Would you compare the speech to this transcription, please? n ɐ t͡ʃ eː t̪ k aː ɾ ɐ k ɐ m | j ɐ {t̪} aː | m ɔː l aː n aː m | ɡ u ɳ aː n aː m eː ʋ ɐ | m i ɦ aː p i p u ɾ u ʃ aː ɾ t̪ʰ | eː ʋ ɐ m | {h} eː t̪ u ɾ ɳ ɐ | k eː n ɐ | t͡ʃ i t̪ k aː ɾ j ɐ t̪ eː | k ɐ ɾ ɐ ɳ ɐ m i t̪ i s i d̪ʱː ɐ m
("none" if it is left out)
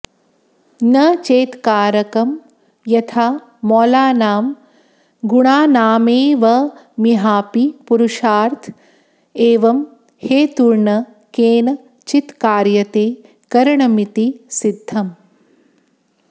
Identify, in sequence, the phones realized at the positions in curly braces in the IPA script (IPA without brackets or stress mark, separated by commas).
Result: t̪ʰ, h